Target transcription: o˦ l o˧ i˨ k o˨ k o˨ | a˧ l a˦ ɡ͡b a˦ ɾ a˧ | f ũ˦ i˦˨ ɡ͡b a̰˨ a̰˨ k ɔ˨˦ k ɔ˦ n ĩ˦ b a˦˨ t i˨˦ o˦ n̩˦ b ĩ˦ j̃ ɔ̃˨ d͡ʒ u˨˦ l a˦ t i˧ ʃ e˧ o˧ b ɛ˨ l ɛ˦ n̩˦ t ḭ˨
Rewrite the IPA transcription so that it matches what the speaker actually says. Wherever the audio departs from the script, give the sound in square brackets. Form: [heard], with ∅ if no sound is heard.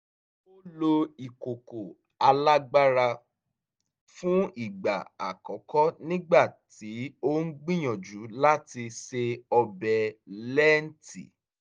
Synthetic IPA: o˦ l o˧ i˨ k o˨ k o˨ | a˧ l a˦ ɡ͡b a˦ ɾ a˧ | f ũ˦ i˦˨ ɡ͡b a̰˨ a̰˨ k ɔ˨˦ k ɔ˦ n ĩ˦ [ɡ͡b] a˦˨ t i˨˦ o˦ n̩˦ [ɡ͡b] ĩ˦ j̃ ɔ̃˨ d͡ʒ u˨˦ l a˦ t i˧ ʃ e˧ [ɔ˧] b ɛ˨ l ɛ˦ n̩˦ t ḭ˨